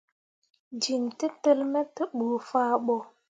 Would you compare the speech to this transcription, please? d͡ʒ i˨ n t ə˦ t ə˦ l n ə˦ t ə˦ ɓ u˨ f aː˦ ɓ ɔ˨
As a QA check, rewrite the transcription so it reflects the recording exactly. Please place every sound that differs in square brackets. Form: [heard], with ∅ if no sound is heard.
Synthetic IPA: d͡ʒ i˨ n t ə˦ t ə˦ l [m] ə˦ t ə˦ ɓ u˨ f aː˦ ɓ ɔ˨